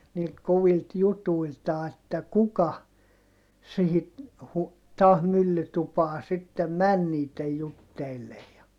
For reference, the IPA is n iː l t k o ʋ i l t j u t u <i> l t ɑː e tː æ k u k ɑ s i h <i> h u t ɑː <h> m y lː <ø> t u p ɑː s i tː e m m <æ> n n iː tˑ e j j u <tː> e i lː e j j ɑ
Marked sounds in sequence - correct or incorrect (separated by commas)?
correct, correct, correct, incorrect, correct, correct